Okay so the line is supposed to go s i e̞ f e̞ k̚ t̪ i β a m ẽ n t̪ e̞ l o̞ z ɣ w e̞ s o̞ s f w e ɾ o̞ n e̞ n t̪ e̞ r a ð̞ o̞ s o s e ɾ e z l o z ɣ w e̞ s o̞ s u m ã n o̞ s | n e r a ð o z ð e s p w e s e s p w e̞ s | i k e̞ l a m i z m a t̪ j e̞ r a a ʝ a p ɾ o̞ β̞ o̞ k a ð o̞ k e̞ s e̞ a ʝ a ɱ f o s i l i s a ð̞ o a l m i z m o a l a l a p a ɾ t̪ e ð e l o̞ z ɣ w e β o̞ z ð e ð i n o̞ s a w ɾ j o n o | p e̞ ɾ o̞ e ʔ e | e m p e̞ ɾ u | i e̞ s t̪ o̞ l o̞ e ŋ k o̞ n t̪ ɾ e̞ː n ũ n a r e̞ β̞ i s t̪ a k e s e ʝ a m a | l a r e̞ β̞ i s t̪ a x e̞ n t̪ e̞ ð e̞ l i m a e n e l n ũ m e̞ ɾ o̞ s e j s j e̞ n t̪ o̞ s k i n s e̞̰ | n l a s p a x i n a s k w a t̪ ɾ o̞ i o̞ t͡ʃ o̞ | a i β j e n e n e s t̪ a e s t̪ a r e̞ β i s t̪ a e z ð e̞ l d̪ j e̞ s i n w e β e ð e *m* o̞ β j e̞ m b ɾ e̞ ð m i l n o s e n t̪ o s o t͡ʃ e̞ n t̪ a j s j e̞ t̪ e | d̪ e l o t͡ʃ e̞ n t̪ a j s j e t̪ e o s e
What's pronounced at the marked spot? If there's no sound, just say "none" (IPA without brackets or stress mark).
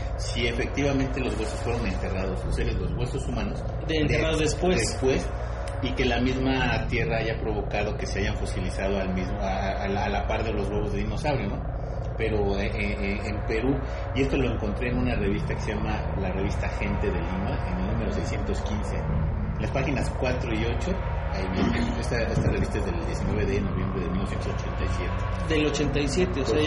n